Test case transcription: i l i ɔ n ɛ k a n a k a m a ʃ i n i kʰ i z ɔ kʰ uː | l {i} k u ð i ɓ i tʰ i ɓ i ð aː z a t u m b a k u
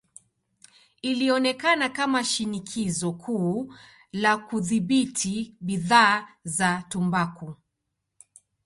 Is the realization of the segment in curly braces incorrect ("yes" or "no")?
yes